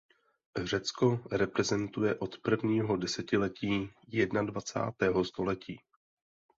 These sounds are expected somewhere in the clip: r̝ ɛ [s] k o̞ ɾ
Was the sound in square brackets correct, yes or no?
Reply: no